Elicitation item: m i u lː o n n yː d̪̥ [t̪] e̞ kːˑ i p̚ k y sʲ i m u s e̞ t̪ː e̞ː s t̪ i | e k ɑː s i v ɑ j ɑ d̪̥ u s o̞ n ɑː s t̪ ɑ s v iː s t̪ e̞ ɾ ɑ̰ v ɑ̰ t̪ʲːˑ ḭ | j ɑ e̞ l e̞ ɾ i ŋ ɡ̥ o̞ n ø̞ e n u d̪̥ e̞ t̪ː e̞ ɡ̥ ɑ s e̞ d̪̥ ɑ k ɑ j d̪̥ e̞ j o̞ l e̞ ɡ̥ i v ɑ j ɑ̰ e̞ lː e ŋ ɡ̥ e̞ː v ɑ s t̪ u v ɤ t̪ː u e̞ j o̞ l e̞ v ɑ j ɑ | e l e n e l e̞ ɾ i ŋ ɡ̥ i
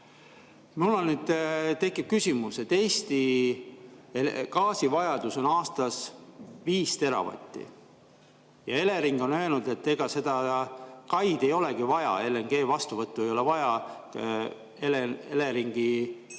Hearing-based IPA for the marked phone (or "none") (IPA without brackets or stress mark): t̪